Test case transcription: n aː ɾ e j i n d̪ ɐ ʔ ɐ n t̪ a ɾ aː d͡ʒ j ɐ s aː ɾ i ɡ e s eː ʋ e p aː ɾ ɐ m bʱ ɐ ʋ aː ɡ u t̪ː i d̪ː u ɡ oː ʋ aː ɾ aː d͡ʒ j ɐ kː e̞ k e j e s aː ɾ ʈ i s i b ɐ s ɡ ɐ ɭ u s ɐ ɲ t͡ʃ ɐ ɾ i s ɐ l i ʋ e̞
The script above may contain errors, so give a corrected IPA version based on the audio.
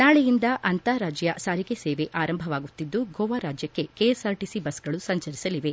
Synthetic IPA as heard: n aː ɭ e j i n d̪ ɐ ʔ ɐ n t̪ a ɾ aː d͡ʒ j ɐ s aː ɾ i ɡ e s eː ʋ e ʔ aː ɾ ɐ m bʱ ɐ ʋ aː ɡ u t̪ː i d̪ː u ɡ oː ʋ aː ɾ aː d͡ʒ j ɐ kː e̞ k e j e s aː ɾ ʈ i s i b ɐ s ɡ ɐ ɭ u s ɐ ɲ t͡ʃ ɐ ɾ i s ɐ l i ʋ e̞